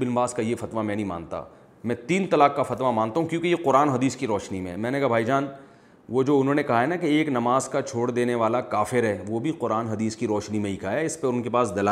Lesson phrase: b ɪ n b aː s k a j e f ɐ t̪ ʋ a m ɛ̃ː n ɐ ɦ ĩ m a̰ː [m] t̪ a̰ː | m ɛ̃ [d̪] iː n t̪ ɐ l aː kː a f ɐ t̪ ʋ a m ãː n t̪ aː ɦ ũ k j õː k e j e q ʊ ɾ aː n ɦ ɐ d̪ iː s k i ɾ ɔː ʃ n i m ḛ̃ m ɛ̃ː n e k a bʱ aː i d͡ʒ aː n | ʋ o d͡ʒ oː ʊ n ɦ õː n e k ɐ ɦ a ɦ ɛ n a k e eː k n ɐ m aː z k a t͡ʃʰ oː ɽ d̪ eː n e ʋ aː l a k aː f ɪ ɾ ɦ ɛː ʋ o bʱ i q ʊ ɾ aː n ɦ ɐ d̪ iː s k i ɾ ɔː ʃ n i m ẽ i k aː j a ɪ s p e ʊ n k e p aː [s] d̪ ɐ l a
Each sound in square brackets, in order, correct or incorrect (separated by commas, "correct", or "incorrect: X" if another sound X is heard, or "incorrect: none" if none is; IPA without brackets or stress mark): incorrect: n, incorrect: t̪, correct